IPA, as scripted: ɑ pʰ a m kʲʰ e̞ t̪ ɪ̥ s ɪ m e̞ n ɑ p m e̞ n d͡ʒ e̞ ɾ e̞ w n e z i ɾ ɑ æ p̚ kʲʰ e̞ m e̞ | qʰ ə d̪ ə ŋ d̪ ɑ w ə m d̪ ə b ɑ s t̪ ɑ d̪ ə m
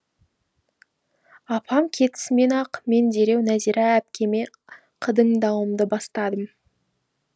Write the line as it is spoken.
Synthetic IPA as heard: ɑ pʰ ɑ m kʲʰ e̞ t̪ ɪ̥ s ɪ m e̞ n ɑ q m e̞ n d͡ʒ e̞ ɾ e̞ w n æ z i ɾ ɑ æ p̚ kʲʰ e̞ m e̞ | qʰ ə d̪ ə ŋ d̪ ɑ w ə m d̪ ə b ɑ s t̪ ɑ d̪ ə m